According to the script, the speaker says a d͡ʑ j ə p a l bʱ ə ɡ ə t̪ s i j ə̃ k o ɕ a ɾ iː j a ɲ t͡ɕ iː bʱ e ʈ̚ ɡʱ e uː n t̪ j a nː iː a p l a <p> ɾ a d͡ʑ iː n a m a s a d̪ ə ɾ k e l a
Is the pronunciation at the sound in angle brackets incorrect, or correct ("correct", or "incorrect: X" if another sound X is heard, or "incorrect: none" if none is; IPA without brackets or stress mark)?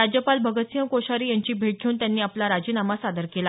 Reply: incorrect: none